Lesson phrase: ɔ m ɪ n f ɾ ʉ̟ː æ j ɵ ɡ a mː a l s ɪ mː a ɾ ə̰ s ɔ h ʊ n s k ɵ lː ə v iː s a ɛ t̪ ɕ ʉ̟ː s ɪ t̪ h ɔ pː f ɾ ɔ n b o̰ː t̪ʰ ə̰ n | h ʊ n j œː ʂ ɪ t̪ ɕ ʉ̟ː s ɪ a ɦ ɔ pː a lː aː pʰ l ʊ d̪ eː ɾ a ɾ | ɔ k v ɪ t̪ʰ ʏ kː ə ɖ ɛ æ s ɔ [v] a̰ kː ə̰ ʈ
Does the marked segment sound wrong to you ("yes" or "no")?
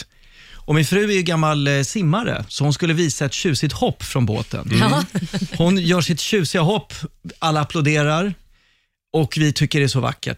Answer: no